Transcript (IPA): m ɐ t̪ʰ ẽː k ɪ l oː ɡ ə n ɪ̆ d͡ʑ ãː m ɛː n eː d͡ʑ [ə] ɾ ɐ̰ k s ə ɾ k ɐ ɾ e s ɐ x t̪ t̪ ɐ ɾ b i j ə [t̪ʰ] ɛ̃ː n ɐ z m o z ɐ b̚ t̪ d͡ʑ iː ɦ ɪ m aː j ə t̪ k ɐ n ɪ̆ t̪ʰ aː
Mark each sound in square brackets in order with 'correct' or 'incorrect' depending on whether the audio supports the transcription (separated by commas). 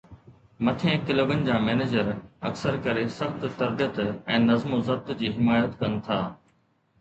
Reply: correct, incorrect